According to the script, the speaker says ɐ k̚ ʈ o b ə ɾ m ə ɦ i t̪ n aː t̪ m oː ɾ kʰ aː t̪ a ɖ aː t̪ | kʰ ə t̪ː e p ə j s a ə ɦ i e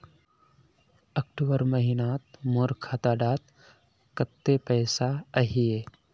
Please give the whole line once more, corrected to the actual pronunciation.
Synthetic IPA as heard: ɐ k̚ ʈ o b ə ɾ m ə ɦ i n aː t̪ m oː ɾ kʰ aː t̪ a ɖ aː t̪ | k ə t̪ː e p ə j s a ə ɦ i e

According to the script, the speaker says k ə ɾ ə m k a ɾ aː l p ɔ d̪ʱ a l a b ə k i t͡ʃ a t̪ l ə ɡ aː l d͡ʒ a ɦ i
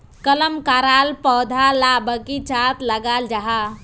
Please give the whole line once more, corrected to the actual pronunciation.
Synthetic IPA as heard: k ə l ə m k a ɾ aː l p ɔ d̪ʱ a l a b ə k i t͡ʃ a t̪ l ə ɡ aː l d͡ʒ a ɦ a

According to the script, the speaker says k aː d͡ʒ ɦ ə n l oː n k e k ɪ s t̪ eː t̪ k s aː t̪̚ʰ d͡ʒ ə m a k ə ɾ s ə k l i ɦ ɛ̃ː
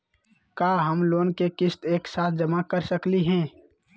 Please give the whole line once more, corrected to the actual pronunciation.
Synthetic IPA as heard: k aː ɦ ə m l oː n k e k ɪ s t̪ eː k s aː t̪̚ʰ d͡ʒ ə m a k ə ɾ s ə k l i ɦ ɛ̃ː

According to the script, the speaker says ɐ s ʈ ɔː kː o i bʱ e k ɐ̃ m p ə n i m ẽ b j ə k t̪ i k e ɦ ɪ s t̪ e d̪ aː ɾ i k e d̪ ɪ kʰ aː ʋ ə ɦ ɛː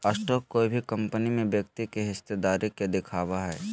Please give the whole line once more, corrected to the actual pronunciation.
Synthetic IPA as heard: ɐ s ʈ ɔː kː o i bʱ i k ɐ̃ m p ə n i m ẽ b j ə k t̪ i k e ɦ ɪ s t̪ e d̪ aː ɾ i k e d̪ ɪ kʰ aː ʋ a ɦ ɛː

